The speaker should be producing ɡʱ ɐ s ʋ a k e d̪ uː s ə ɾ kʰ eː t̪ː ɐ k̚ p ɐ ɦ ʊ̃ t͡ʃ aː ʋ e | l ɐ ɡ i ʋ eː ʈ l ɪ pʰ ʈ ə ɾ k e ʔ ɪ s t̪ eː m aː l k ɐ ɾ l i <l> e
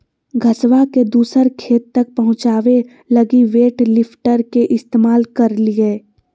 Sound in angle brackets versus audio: incorrect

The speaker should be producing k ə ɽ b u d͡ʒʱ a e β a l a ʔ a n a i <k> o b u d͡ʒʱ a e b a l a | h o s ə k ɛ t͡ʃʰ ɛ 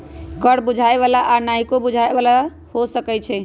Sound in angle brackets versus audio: correct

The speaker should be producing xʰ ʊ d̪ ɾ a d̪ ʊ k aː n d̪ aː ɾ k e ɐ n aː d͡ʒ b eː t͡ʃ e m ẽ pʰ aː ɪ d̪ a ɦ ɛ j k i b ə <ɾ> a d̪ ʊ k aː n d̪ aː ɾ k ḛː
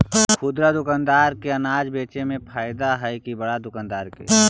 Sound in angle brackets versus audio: incorrect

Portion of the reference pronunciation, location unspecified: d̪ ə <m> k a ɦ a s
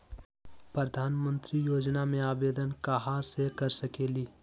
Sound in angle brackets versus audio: incorrect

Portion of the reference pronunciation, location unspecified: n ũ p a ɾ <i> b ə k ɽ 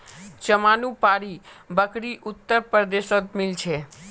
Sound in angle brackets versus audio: correct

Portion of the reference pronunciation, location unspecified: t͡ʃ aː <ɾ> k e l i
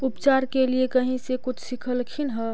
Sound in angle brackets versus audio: correct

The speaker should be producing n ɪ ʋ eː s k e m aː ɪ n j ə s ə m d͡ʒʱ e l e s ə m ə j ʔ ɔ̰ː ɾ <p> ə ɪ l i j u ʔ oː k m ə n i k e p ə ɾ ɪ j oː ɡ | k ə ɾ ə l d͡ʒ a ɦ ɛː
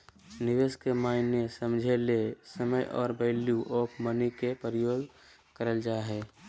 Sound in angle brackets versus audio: incorrect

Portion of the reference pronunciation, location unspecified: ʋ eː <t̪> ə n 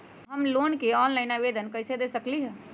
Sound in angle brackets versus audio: incorrect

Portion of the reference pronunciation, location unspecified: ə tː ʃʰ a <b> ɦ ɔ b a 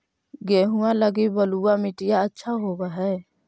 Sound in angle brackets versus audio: incorrect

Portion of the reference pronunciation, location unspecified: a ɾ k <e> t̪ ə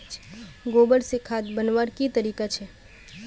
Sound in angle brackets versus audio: incorrect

